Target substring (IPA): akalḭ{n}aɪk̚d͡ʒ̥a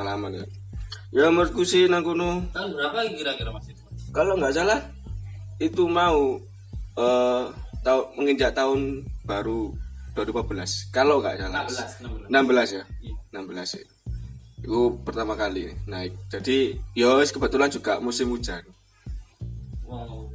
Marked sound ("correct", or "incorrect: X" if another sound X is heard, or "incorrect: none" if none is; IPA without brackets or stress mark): correct